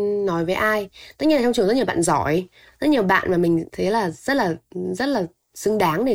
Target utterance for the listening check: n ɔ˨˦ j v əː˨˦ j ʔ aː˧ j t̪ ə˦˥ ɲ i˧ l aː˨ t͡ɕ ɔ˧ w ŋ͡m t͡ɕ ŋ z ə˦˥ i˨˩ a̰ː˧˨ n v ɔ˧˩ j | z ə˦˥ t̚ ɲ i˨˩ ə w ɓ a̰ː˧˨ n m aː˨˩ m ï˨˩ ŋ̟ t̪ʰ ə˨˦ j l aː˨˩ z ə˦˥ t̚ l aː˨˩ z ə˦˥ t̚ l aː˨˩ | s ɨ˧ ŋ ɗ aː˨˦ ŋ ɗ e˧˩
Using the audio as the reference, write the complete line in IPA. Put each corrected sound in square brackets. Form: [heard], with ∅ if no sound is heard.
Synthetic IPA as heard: n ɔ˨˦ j v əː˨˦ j ʔ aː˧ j t̪ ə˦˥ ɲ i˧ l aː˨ t͡ɕ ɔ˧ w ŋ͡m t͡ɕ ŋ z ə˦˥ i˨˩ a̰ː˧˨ n [z] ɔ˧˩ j | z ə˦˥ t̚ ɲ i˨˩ ə w ɓ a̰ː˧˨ n m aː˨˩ m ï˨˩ ŋ̟ t̪ʰ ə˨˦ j l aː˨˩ z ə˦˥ t̚ l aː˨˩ z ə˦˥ t̚ l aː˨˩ | s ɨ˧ ŋ ɗ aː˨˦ ŋ ɗ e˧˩